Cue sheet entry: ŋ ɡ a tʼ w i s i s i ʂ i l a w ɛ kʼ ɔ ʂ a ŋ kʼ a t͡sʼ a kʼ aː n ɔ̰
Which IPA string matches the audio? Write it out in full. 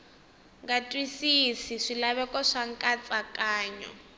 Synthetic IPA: ŋ ɡ a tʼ w i s i s i ʂ i l a β ɛ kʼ ɔ ʂ a ŋ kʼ a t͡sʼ a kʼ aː ɲ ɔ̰